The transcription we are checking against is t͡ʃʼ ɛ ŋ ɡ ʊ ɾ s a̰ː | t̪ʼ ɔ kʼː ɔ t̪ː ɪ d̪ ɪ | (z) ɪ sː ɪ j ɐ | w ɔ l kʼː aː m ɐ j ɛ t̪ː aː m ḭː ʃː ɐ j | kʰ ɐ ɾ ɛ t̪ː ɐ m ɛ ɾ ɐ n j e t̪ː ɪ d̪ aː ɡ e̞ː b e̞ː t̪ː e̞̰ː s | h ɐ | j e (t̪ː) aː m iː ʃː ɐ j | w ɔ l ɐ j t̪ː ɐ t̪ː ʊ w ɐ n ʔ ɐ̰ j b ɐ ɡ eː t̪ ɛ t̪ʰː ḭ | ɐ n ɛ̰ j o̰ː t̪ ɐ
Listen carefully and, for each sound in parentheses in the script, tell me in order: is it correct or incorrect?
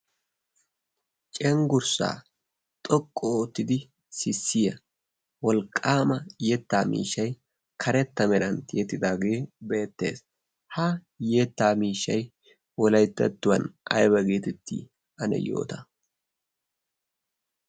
incorrect: s, correct

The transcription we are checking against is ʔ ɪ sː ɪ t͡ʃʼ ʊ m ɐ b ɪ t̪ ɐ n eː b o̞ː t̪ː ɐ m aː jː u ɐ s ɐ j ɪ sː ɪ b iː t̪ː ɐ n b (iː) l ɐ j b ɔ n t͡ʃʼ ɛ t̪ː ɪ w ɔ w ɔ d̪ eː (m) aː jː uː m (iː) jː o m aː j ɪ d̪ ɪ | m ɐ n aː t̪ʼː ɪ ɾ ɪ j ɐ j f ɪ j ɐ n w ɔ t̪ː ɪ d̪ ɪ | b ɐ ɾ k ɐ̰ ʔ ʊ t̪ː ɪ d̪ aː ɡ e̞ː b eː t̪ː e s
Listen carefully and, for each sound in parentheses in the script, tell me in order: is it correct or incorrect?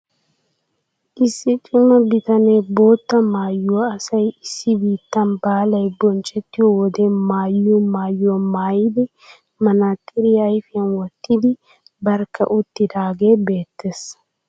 incorrect: aː, correct, incorrect: aː

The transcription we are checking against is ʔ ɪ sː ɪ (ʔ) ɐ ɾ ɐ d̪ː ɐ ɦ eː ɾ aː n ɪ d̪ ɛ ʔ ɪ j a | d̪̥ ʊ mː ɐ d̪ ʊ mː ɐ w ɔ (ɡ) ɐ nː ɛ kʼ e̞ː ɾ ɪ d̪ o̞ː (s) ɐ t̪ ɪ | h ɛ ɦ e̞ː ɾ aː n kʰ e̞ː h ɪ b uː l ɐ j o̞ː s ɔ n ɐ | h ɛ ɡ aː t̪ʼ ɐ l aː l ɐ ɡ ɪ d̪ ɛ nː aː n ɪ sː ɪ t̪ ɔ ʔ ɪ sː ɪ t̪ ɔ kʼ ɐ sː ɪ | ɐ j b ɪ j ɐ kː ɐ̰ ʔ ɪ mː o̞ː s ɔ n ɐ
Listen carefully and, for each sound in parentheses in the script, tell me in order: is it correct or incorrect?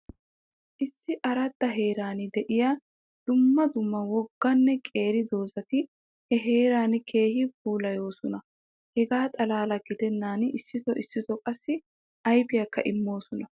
correct, incorrect: ɡː, incorrect: z

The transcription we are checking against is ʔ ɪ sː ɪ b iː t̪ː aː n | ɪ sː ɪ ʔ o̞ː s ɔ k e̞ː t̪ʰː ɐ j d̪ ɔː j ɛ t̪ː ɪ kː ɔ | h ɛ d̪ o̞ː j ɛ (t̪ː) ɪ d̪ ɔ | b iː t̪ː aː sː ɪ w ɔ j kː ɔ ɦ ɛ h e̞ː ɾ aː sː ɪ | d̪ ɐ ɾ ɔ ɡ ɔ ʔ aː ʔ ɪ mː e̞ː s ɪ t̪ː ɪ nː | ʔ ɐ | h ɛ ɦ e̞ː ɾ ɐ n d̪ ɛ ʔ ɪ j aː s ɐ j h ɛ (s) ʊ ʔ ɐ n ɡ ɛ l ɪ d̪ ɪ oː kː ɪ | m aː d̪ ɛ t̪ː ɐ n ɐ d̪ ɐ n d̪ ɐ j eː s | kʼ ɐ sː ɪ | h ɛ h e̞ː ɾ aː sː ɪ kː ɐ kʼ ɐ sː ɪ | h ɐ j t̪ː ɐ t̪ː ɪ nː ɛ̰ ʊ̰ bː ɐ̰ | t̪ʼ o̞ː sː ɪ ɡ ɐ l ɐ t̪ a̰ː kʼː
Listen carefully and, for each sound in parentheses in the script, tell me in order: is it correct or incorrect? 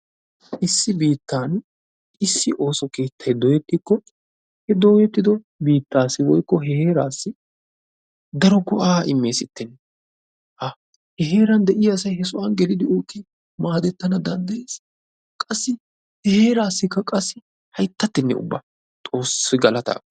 correct, correct

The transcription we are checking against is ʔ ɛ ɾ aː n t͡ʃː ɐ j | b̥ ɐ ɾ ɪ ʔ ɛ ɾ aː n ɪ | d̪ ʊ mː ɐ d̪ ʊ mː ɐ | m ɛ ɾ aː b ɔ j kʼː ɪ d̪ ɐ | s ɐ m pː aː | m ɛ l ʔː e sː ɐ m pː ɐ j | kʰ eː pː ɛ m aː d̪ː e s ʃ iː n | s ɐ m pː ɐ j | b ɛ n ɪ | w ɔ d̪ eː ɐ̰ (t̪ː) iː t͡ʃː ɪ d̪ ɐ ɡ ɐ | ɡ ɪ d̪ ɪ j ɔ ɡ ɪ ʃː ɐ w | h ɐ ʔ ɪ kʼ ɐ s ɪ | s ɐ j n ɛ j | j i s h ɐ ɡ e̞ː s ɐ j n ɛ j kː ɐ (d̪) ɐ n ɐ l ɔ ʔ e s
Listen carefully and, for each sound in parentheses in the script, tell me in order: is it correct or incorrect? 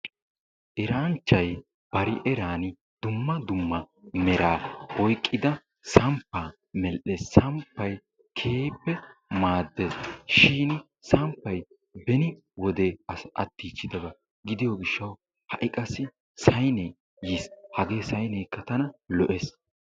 correct, incorrect: t̪

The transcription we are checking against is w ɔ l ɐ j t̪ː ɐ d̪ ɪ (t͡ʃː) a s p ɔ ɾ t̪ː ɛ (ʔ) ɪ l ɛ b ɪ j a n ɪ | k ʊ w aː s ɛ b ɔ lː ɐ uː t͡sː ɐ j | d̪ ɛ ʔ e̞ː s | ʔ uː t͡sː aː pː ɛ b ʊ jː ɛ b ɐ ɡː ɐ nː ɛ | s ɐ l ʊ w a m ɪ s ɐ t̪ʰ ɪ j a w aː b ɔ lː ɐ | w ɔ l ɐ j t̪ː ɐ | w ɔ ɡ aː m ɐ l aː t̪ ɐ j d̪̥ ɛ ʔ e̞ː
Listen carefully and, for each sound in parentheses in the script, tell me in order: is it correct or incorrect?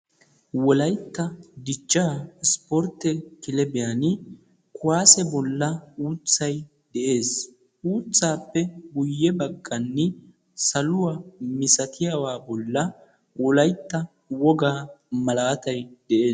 correct, incorrect: k

